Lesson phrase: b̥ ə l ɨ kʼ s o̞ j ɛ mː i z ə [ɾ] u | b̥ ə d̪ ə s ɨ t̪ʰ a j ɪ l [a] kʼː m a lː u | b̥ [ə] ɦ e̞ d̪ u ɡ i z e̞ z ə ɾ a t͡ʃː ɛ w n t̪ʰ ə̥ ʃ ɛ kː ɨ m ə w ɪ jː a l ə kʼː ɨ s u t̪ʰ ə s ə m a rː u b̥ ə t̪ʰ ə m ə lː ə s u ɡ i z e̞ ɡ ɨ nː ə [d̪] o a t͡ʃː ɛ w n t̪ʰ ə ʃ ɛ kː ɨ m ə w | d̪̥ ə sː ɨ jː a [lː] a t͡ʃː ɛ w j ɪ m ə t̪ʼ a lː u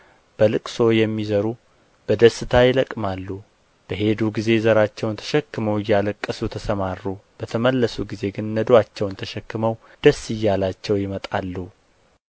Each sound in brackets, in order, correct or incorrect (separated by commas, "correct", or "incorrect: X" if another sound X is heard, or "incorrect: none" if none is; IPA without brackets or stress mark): correct, incorrect: ə, correct, correct, incorrect: l